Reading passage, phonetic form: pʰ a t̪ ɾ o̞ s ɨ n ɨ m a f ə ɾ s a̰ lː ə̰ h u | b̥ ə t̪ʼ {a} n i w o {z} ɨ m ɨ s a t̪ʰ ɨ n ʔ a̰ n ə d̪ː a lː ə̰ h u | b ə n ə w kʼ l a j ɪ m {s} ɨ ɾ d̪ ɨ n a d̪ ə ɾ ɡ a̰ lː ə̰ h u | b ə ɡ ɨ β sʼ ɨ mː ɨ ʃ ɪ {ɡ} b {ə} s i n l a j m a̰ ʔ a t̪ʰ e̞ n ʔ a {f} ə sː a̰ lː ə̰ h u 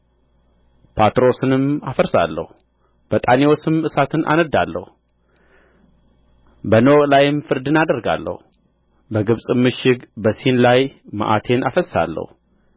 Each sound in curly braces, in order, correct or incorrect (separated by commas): correct, incorrect, incorrect, correct, correct, correct